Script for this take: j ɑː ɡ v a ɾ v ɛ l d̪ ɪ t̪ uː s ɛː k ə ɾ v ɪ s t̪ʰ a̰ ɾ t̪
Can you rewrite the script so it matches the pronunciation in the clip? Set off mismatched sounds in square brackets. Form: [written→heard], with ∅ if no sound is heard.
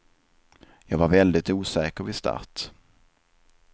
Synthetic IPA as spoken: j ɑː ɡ v a ɾ v ɛ l d̪ ɪ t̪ uː s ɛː k ə ɾ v ɪ s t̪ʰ a̰ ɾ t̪